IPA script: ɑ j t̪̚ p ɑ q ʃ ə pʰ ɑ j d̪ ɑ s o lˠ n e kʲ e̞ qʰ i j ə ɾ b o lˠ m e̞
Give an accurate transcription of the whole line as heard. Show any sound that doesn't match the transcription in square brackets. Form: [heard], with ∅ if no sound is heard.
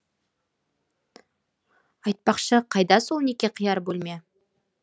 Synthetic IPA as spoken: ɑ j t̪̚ p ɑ q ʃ ə [qʰ] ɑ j d̪ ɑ s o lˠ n e kʲ e̞ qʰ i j [ɑ] ɾ b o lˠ m e̞